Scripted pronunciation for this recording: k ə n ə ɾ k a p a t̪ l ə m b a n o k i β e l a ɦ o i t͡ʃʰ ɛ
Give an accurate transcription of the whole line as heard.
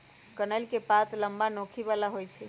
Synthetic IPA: k ə n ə l k e p a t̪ l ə m b a n o kʰ i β a l a ɦ o j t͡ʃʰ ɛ